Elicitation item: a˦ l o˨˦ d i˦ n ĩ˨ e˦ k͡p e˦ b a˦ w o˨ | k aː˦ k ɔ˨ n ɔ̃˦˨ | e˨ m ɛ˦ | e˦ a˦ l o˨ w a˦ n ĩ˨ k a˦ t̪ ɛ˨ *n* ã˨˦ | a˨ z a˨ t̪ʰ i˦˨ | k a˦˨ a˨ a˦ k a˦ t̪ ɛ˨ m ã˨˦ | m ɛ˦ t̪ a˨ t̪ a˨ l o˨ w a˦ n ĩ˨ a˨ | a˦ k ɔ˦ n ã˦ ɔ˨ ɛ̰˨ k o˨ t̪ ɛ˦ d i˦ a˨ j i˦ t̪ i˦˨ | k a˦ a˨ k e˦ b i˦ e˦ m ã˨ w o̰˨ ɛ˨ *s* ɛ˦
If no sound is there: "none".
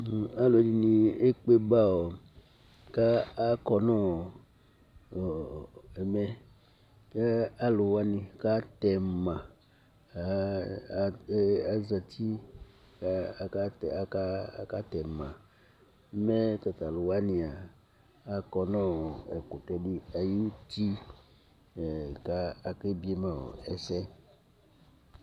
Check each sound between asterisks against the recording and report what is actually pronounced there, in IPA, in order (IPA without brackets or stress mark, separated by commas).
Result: m, s